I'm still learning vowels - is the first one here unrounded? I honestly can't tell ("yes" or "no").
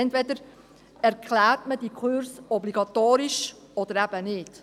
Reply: yes